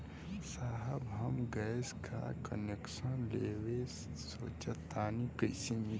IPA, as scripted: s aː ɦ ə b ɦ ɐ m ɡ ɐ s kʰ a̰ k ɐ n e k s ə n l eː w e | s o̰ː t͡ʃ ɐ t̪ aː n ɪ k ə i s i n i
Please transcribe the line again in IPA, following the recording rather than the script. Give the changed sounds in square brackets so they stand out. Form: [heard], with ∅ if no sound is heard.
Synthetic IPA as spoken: s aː ɦ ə b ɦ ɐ m ɡ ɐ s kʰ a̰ k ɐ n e k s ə n l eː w e | s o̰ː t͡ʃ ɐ t̪ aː n [i] k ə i s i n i